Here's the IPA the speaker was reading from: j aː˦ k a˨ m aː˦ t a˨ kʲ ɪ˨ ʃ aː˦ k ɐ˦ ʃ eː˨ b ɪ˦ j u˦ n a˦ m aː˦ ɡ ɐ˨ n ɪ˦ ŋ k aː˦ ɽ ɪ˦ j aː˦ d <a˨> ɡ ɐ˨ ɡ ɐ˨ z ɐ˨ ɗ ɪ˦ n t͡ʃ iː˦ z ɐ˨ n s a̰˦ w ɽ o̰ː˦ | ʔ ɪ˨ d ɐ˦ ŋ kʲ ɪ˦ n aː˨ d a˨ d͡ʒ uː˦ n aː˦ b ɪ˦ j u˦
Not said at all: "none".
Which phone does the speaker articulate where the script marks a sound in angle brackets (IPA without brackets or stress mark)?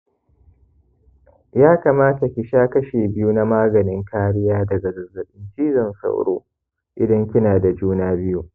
ɐ˨